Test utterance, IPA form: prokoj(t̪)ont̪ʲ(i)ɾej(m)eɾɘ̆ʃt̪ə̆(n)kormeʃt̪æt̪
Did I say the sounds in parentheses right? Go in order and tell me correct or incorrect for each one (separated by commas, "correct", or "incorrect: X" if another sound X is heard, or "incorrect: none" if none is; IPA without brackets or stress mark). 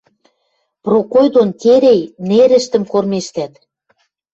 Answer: incorrect: d̪, incorrect: e, incorrect: n, incorrect: m